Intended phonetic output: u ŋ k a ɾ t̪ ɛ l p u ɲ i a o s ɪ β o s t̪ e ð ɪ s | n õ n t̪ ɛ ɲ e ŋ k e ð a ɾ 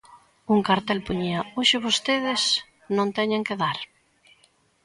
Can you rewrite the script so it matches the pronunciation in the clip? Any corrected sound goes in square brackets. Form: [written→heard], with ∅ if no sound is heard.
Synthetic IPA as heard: u ŋ k a ɾ t̪ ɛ l p u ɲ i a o [s→ʃ] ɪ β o s t̪ e ð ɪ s | n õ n t̪ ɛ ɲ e ŋ k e ð a ɾ